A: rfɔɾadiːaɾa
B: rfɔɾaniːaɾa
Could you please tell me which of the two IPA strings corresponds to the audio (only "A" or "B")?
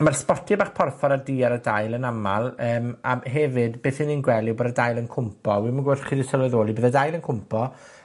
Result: A